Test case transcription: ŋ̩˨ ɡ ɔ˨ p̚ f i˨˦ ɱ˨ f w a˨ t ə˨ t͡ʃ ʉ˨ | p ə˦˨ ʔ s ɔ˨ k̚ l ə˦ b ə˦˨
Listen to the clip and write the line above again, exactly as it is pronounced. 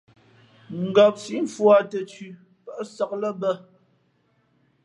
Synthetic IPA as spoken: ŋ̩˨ ɡ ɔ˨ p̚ s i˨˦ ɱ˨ f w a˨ t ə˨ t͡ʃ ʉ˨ | p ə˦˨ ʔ s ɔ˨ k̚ l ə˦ b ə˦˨